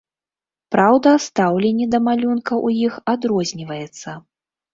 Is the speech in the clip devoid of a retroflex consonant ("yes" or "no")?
yes